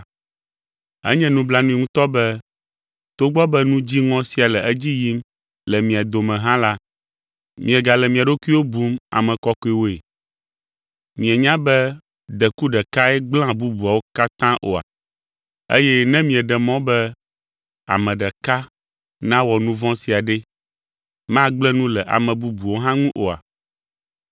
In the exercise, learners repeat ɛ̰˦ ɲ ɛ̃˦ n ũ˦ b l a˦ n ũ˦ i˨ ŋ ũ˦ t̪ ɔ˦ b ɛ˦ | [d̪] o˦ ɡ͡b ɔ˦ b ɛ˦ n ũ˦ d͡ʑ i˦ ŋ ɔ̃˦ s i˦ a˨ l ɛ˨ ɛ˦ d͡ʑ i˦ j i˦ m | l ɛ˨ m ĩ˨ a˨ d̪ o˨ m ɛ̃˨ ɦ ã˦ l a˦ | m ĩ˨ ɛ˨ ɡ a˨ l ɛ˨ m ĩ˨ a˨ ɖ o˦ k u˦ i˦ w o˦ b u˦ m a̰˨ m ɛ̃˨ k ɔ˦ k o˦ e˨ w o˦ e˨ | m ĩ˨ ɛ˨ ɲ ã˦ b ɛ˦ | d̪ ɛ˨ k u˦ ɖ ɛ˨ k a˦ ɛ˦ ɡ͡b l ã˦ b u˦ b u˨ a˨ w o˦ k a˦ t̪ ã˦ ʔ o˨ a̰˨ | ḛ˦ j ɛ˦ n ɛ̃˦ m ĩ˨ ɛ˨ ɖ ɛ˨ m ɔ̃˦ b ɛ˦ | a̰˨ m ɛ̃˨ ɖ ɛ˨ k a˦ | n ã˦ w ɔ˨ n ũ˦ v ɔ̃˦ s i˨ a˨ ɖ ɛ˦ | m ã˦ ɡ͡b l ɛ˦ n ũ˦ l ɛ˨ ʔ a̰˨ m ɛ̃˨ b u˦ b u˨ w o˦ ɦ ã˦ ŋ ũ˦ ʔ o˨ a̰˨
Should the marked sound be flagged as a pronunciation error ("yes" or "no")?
yes